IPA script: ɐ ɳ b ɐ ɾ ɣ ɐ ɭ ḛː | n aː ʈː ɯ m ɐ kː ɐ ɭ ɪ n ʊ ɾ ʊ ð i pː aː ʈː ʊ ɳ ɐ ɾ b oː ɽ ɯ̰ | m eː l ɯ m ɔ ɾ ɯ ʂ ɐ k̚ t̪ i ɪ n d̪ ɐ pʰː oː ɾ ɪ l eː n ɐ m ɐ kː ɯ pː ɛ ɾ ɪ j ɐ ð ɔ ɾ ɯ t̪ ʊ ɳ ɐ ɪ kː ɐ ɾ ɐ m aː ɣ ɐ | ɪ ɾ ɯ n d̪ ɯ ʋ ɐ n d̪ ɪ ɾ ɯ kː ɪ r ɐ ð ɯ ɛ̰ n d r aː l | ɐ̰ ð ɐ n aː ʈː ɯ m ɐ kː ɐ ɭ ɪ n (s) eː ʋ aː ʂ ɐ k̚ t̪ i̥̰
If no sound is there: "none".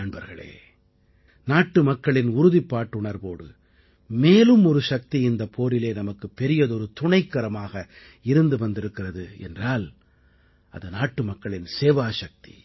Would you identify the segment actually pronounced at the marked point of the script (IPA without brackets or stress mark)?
s